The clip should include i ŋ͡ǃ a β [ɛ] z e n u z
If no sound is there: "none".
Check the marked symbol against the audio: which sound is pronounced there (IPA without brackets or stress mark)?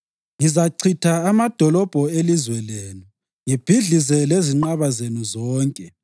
a